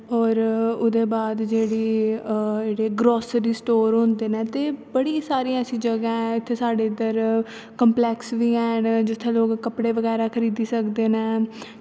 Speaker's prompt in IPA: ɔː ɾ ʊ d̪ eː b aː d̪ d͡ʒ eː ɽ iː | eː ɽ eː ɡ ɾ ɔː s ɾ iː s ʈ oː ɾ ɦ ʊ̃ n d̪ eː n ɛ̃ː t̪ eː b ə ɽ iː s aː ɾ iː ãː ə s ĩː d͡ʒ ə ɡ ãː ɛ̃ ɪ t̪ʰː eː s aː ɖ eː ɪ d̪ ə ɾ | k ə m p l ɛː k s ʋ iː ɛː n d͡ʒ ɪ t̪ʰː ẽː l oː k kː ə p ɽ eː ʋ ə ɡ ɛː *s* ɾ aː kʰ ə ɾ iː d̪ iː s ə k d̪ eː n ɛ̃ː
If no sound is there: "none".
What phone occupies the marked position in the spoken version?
none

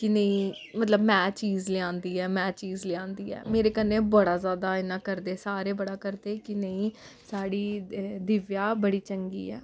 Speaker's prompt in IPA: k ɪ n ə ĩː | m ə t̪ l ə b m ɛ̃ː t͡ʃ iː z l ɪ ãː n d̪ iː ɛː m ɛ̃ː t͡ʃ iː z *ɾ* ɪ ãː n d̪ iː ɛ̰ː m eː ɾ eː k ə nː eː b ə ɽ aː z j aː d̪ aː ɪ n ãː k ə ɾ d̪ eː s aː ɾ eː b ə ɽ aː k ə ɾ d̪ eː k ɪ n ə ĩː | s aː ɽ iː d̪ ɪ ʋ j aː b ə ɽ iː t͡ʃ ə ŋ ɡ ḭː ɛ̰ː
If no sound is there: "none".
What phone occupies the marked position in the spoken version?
l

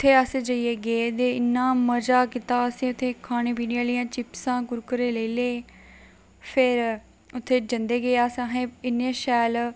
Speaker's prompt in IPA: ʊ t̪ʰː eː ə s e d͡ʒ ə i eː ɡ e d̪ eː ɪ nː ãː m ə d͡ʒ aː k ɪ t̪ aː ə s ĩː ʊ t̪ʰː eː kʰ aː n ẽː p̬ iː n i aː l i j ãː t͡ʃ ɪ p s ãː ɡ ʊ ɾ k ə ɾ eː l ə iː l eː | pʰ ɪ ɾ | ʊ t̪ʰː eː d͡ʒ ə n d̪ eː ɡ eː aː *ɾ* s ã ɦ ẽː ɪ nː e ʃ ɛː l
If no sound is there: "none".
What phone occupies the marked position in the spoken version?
none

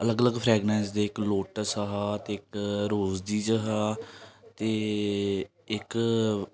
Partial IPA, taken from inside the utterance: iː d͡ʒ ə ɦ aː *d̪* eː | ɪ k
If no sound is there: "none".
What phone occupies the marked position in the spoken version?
t̪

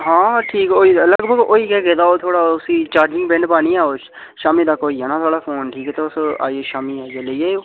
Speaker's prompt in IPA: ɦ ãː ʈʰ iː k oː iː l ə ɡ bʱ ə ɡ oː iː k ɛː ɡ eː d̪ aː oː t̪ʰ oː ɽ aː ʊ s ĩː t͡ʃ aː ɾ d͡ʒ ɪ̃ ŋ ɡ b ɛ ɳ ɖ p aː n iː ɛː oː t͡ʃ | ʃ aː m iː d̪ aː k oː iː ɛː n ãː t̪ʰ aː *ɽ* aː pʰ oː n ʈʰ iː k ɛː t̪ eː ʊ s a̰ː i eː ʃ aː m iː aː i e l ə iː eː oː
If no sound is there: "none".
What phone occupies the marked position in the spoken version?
ɽ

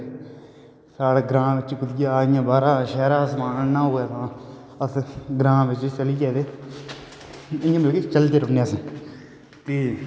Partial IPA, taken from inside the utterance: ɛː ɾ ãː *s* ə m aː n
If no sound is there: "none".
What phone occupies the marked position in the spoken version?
s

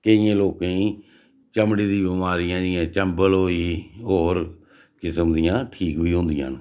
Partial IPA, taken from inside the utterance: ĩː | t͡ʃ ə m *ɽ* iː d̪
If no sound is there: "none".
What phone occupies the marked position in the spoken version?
ɽ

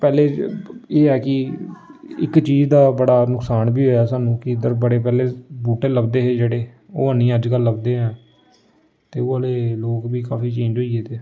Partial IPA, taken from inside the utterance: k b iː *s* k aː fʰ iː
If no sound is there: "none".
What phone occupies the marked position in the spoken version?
none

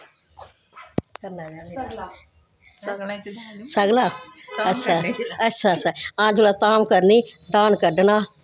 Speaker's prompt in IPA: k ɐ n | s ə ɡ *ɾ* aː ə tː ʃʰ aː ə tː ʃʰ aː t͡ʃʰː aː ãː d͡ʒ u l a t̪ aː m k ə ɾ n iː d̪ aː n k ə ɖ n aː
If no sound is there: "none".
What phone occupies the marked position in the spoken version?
l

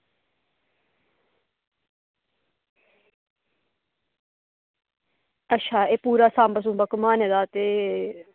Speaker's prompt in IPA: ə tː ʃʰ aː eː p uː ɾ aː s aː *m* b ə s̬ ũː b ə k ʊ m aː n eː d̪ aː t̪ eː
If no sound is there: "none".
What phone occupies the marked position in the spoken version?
m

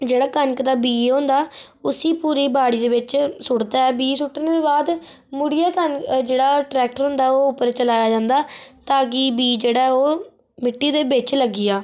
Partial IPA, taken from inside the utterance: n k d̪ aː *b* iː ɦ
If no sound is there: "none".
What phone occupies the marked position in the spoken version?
b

